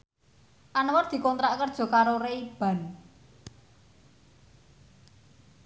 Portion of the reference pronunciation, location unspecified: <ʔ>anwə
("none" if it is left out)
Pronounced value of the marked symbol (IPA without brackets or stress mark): ʔ